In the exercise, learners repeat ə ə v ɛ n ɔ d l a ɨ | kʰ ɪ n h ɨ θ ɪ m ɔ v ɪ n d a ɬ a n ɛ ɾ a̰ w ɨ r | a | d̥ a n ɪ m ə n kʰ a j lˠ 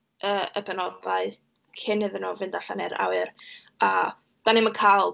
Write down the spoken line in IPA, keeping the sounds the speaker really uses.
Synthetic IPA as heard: ə ə b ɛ n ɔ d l a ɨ | kʰ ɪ n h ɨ ð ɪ n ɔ v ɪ n d a ɬ a n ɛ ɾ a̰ w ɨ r | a | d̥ a n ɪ m ə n kʰ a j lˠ